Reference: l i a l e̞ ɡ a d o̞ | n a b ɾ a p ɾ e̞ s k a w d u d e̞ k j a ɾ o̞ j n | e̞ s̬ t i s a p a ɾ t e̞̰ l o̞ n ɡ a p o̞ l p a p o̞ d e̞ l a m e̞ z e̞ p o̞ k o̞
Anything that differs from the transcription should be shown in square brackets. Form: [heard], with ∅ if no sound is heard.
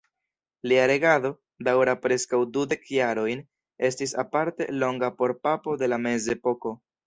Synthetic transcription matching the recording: l i a [ɾ] e̞ ɡ a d o̞ | [d] a [w] ɾ a p ɾ e̞ s k a w d u d e̞ k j a ɾ o̞ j n | e̞ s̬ t i s a p a ɾ t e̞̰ l o̞ [ŋ] ɡ a p o̞ [ɾ] p a p o̞ d e̞ l a m e̞ z e̞ p o̞ k o̞